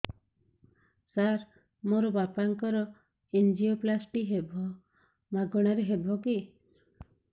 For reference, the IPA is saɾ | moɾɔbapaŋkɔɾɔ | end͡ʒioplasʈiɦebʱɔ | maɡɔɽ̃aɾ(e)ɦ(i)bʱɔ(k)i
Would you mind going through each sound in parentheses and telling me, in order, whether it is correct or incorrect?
correct, incorrect: e, correct

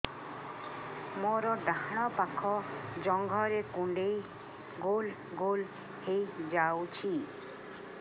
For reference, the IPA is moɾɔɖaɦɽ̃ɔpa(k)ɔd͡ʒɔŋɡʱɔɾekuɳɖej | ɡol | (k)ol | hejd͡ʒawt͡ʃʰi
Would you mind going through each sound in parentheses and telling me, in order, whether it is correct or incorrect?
incorrect: kʰ, incorrect: ɡ

